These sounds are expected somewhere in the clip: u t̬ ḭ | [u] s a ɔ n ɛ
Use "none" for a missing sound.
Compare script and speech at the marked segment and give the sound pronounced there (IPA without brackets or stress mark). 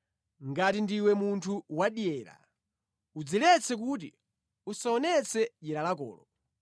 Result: u